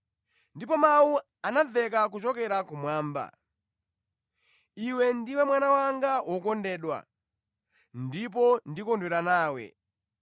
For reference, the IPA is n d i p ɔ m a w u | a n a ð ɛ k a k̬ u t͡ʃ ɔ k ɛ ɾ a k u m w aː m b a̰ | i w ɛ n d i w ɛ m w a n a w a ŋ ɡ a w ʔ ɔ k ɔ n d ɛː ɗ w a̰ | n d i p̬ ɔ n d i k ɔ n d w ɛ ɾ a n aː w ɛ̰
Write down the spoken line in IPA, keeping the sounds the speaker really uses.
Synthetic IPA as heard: n d i p ɔ m a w u | a n a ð ɛ k a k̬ u t͡ʃ ɔ k ɛ ɾ a k u m w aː m b a̰ | i w ɛ n d i w ɛ m w a n a w a ŋ ɡ a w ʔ ɔ k ɔ n d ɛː ɗ w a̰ | n d i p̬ ɔ n d i k ɔ n d w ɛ ɾ a n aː w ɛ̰